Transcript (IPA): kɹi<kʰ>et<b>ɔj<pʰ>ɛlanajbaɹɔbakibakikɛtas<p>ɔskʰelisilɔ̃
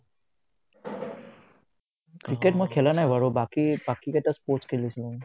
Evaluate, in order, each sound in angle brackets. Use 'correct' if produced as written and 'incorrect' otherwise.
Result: incorrect: k, incorrect: m, incorrect: kʰ, correct

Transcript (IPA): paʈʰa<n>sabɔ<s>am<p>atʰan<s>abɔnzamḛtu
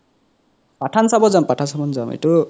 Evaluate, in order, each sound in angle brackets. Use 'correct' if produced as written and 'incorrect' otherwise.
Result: correct, incorrect: z, correct, correct

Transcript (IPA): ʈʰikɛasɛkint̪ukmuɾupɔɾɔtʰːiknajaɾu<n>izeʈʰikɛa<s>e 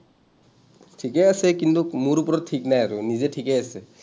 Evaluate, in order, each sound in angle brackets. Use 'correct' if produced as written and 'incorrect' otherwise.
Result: correct, correct

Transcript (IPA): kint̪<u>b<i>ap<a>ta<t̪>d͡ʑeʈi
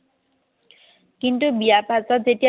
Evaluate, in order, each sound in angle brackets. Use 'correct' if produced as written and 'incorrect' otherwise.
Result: correct, correct, correct, incorrect: none

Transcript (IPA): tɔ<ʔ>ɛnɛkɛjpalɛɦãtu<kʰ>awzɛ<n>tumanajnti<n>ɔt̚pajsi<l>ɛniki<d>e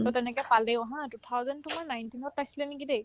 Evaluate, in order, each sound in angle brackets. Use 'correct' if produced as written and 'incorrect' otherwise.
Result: incorrect: t, incorrect: tʰ, correct, correct, correct, correct

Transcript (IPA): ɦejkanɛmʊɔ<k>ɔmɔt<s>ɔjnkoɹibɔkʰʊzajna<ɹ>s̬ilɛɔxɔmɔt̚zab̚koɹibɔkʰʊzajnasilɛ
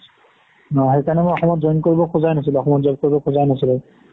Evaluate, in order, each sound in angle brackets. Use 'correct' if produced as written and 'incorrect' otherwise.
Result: incorrect: x, incorrect: z, incorrect: none

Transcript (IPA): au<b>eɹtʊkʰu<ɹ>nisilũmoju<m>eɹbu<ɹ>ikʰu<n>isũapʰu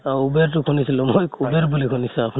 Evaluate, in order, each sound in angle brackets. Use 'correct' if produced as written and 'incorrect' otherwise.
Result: correct, incorrect: none, incorrect: b, incorrect: l, correct

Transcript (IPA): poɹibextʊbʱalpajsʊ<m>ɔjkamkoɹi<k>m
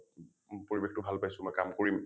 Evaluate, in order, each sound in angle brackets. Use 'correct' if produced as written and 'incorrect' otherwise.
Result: correct, incorrect: none

